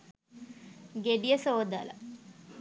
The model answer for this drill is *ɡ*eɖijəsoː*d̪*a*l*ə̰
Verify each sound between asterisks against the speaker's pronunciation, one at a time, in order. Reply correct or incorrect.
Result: correct, correct, correct

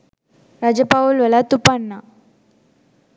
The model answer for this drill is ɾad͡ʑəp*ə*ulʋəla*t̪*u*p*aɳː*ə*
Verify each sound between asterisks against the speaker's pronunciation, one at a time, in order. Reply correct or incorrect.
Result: incorrect: a, correct, correct, incorrect: a

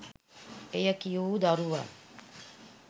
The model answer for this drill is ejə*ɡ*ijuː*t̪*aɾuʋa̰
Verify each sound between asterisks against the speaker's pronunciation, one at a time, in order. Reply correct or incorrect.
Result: incorrect: k, incorrect: d̪

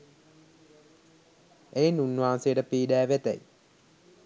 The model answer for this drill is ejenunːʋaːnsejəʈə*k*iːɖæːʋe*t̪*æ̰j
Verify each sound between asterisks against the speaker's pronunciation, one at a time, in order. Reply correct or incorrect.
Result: incorrect: p, correct

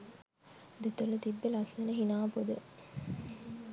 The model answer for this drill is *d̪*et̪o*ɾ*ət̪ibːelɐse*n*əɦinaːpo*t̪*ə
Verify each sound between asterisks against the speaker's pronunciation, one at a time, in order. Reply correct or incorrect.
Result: correct, incorrect: l, correct, incorrect: d̪

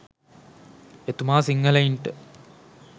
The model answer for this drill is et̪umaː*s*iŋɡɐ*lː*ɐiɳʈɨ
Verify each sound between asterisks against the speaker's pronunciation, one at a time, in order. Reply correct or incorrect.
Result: correct, incorrect: l

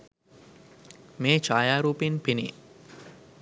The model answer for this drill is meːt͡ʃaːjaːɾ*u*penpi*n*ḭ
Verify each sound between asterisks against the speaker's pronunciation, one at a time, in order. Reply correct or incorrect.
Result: incorrect: uː, correct

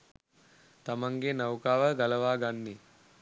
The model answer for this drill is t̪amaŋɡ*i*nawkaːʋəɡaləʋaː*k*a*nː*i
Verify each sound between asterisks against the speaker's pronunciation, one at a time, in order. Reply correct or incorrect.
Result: incorrect: e, incorrect: ɡ, correct

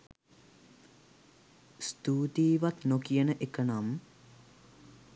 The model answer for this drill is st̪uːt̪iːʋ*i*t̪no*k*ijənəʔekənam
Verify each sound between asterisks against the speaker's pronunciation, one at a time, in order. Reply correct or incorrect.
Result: incorrect: a, correct

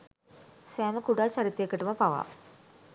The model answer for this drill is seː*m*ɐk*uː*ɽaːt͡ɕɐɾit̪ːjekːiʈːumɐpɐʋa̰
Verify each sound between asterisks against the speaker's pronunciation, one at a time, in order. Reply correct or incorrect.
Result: correct, incorrect: u

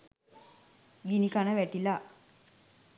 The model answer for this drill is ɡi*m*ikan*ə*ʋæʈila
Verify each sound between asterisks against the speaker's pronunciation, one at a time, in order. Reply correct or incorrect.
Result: incorrect: n, correct

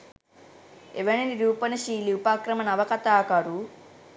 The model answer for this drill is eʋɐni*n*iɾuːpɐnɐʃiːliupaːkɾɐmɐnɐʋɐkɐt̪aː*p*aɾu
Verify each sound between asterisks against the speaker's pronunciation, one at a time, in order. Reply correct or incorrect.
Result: correct, incorrect: k

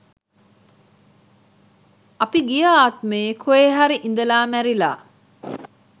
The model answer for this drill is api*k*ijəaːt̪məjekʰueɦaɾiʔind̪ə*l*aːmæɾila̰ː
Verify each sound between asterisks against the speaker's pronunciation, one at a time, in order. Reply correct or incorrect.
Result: incorrect: ɡ, correct

